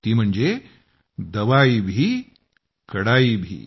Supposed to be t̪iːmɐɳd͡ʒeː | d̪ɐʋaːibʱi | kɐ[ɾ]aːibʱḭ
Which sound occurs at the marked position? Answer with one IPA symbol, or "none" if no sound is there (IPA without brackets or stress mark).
ɽ